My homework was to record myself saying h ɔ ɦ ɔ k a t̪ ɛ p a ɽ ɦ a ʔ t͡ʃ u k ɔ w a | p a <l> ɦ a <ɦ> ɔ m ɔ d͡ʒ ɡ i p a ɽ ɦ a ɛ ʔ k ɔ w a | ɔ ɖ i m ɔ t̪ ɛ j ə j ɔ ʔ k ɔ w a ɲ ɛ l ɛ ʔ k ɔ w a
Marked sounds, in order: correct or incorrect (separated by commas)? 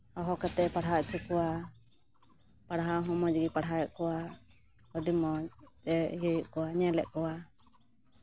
incorrect, correct